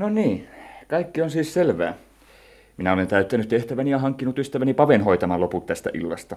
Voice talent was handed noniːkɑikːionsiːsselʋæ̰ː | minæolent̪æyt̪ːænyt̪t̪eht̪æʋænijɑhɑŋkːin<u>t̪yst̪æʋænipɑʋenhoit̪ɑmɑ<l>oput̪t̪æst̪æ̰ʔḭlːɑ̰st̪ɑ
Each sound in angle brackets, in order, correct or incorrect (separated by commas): correct, correct